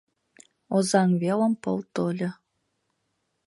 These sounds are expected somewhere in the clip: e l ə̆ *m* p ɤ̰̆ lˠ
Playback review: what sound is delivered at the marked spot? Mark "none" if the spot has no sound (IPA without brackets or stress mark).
m